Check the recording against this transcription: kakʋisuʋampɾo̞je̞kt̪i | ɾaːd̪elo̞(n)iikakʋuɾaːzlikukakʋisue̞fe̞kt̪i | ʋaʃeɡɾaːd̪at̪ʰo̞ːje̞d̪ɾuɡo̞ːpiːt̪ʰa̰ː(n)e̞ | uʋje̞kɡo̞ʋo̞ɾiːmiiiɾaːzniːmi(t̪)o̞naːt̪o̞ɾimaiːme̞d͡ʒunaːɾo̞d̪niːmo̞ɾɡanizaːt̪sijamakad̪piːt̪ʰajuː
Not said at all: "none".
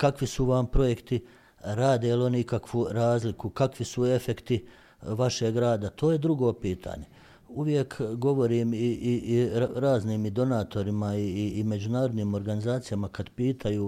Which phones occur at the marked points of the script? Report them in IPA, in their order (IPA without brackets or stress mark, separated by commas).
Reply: n, ɲ, d̪